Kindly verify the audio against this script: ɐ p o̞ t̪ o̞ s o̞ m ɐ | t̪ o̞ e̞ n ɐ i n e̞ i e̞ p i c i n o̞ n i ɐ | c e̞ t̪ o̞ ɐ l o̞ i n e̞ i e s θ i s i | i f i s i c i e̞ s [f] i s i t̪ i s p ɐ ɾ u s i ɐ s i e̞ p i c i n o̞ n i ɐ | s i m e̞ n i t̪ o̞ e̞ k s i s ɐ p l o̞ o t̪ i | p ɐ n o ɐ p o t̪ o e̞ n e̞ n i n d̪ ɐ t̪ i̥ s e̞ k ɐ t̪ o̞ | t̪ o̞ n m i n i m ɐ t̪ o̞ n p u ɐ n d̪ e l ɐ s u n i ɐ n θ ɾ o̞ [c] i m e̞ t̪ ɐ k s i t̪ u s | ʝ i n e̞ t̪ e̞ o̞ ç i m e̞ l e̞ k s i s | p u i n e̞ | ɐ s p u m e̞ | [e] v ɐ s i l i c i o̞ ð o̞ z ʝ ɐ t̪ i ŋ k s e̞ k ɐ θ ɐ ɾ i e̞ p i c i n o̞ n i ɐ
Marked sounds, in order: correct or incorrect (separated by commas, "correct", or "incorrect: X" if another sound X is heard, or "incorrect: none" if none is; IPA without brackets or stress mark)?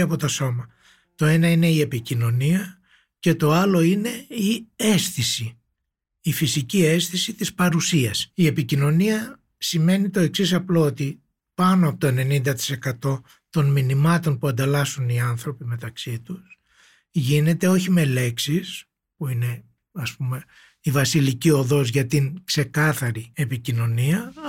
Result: incorrect: θ, incorrect: p, incorrect: i